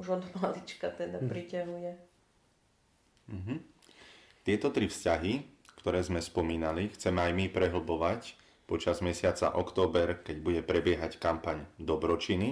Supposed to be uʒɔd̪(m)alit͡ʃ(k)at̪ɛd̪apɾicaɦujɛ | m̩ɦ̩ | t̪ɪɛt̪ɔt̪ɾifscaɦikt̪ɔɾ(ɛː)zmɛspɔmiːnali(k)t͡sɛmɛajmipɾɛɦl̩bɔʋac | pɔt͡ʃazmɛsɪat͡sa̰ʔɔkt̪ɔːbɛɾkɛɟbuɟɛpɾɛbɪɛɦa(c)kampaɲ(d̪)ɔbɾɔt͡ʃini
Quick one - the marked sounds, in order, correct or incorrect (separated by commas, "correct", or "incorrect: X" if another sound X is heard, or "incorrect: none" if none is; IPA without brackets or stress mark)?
correct, correct, correct, incorrect: x, correct, correct